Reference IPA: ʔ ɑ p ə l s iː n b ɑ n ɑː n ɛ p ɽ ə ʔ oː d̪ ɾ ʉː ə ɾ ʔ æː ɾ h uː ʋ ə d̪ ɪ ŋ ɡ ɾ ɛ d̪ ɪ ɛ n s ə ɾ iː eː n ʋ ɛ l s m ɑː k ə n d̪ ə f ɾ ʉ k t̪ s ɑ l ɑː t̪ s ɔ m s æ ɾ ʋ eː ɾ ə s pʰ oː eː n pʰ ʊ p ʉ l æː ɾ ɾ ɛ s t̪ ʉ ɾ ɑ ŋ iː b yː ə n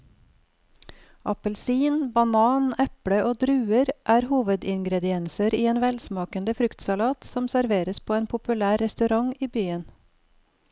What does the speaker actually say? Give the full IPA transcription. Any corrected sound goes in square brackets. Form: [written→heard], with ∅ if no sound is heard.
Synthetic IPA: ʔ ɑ p ə l s iː n b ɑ n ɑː n ɛ p ɽ ə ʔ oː d̪ ɾ ʉː ə ɾ ʔ æː ɾ h uː ʋ ə d̪ ɪ ŋ ɡ ɾ ɛ d̪ ɪ ɛ n s ə ɾ iː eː n ʋ ɛ l s m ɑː k ə n d̪ ə f ɾ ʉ k t̪ s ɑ l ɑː t̪ s ɔ m s æ ɾ ʋ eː ɾ ə s pʰ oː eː n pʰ ʊ p ʉ l æː ɾ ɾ ɛ s t̪ ʉ ɾ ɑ ŋ iː b yː ə n